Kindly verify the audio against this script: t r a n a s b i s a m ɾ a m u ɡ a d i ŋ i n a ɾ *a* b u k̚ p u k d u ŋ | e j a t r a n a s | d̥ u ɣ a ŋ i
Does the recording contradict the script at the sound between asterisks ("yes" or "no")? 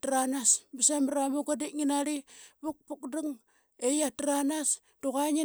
yes